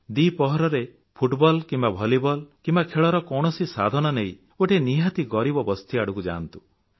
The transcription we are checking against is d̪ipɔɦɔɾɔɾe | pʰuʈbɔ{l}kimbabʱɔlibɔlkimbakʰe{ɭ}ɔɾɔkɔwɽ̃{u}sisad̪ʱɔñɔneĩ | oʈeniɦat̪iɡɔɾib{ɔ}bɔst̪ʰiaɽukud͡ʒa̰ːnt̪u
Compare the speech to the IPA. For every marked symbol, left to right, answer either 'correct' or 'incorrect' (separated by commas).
correct, correct, incorrect, correct